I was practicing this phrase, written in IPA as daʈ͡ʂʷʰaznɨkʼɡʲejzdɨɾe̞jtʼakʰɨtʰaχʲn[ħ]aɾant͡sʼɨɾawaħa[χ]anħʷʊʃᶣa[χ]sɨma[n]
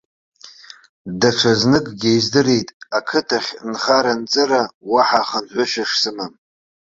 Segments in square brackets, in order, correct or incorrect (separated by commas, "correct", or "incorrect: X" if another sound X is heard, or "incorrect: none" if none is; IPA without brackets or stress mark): incorrect: χ, correct, incorrect: ʂ, incorrect: m